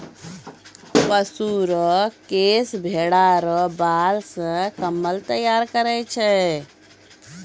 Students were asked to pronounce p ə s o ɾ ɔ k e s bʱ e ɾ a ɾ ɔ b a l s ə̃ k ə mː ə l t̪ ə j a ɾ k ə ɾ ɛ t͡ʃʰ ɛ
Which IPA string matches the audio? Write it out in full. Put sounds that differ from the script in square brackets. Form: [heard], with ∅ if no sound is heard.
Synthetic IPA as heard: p ə s [u] ɾ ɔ k e s bʱ e [ɽ] a ɾ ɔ b a l s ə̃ k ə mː ə l t̪ ə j a ɾ k ə ɾ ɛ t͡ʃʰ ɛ